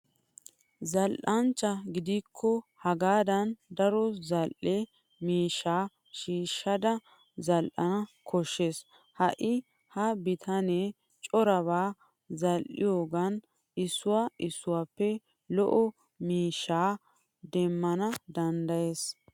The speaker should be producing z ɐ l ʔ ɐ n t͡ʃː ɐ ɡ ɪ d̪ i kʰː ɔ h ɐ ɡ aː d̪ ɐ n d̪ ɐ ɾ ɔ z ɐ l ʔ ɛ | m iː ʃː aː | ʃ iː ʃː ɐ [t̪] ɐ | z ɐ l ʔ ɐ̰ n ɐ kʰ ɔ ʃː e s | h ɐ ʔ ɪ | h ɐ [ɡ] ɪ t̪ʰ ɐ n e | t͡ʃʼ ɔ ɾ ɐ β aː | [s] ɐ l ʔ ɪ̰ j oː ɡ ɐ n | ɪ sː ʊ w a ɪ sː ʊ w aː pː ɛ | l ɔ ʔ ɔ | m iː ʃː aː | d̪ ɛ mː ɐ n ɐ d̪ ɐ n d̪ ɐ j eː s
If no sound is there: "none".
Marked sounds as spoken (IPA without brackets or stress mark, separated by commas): d̪, b, z